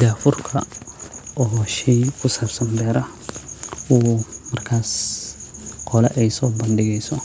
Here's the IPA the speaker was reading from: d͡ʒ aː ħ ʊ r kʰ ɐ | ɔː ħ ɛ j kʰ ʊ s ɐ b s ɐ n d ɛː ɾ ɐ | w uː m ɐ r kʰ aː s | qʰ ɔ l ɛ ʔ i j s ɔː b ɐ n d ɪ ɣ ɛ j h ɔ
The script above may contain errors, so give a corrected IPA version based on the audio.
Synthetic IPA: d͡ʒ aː f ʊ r kʰ ɐ | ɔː ʃ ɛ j kʰ ʊ s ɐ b s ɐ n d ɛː ɾ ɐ | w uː m ɐ r kʰ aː s | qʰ ɔ l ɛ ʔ ɛ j s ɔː b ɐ n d ɪ ɣ ɛ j s ɔ